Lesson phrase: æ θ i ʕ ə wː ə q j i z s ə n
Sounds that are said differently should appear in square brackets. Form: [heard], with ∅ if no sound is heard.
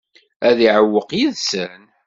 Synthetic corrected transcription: æ [ð] i ʕ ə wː ə q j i [ð] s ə n

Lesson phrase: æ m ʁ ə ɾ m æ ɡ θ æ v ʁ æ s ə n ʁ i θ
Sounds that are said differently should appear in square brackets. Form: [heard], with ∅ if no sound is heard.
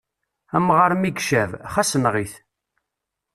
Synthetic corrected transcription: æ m ʁ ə ɾ m [i] ɡ [ʃ] æ v [χ] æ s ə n ʁ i θ

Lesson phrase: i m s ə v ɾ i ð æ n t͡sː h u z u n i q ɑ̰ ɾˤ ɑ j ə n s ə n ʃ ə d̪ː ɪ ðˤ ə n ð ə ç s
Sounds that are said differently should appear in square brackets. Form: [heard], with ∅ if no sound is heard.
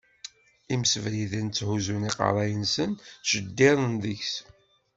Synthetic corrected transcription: i m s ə v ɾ i ð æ n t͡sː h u z u n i q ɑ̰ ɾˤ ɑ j ə n s ə n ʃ ə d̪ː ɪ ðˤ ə n ð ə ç s

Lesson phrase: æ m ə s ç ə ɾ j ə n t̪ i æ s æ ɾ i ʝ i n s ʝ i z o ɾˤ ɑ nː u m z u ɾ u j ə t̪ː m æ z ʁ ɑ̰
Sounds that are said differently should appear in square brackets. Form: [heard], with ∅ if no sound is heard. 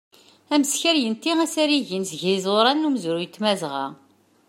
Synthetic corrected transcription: æ m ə s ç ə ɾ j ə n t̪ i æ s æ ɾ i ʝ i n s ʝ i z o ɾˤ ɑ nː u m z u ɾ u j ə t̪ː m æ z ʁ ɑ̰

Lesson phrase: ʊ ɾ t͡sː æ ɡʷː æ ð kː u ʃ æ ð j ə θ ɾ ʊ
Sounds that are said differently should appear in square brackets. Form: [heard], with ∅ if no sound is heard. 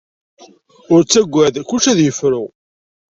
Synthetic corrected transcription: ʊ ɾ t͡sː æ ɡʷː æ ð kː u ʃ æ ð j ə [f] ɾ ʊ

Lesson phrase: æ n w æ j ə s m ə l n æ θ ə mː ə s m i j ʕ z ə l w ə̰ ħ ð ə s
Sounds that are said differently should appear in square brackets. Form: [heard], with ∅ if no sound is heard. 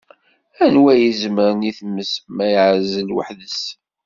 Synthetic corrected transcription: æ n w æ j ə [z] m ə [ɾ] n [i] θ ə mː ə s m [æ] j ʕ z ə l w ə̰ ħ ð ə s

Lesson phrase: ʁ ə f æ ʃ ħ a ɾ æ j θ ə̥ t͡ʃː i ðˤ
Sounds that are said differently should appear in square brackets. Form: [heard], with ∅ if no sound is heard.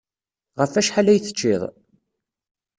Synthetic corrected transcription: ʁ ə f æ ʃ ħ a [l] æ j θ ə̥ t͡ʃː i ðˤ

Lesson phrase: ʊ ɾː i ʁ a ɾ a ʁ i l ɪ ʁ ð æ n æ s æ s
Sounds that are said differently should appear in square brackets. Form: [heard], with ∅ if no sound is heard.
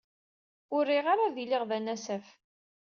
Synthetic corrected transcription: ʊ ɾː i ʁ a ɾ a [ð] i l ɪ ʁ ð æ n æ s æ [f]

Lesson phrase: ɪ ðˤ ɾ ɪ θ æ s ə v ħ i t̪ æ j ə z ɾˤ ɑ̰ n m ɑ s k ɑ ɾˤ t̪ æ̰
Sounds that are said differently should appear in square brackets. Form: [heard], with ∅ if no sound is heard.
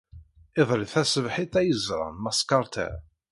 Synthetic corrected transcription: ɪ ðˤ ɾ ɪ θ æ s ə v ħ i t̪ æ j ə z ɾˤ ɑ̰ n m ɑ s k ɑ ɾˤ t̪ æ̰

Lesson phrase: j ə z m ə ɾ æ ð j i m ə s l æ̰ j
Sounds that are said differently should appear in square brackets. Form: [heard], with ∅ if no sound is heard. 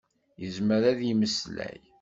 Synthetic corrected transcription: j ə z m ə ɾ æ ð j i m ə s l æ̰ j

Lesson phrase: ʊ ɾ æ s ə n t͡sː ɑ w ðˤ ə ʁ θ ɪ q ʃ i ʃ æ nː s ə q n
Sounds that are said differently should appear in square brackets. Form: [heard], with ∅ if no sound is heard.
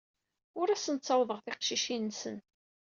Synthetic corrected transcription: ʊ ɾ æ s ə n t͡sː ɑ w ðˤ ə ʁ θ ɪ q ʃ i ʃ [i] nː s ə [∅] n

